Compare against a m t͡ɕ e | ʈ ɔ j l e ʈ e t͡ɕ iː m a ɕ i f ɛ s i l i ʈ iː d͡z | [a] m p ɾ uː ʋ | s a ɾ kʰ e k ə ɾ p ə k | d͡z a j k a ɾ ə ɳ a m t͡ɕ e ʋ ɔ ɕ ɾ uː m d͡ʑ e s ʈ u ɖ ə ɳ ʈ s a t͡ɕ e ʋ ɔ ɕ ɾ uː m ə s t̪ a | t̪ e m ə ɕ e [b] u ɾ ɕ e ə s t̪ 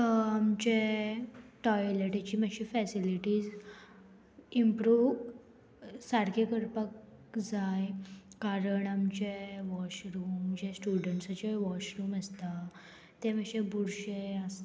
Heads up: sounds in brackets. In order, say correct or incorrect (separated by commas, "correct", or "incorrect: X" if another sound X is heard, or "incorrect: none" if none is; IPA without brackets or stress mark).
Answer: incorrect: i, correct